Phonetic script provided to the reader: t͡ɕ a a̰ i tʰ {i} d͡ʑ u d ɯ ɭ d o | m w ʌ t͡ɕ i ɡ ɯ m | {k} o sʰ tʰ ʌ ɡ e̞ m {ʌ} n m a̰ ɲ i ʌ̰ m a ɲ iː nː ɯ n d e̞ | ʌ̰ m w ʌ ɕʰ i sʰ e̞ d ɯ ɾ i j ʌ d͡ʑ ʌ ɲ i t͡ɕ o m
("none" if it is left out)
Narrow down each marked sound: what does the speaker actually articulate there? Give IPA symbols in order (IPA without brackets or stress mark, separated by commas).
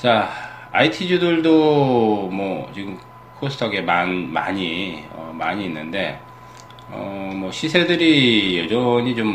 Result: i, kʰ, a